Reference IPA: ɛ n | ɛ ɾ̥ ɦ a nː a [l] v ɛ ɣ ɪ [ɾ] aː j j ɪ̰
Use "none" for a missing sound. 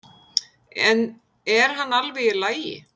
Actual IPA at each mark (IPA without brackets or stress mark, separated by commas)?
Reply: l, l